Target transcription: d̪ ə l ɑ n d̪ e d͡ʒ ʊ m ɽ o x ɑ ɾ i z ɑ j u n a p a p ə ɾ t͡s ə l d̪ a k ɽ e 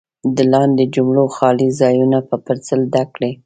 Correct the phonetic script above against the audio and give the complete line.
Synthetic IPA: d̪ ə l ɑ n d̪ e d͡ʒ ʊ m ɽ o x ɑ l i z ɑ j u n a p ə p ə ɾ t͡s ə l d̪ a k ɽ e